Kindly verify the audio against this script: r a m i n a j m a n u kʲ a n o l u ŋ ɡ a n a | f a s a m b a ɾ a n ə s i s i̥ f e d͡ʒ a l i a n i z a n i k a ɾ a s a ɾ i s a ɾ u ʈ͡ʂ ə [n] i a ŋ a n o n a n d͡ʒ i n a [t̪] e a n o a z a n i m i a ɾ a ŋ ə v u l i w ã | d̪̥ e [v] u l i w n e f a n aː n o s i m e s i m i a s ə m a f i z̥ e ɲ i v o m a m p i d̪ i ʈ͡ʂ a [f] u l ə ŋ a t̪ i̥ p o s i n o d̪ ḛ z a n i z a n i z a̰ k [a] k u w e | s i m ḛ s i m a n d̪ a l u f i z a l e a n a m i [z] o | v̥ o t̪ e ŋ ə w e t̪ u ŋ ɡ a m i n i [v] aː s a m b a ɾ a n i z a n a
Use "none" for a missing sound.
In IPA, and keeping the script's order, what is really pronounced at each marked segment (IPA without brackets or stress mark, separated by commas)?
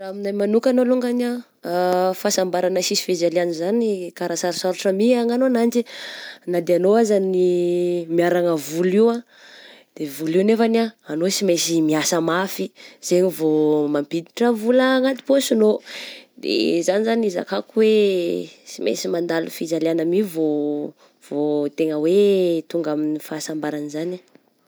m, d̪, v, v, a, v, f